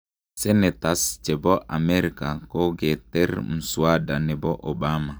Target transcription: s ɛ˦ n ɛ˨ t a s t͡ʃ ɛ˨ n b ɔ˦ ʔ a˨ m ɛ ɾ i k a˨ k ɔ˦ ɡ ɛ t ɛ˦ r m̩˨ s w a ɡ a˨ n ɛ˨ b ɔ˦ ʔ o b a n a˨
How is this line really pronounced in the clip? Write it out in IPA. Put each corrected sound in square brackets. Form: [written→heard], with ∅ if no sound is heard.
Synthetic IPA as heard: s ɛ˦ n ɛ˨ t a s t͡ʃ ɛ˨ [n→∅] b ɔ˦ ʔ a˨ m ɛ ɾ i k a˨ k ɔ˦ ɡ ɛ t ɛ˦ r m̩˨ s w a [ɡ→d] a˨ n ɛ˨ b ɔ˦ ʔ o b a [n→m] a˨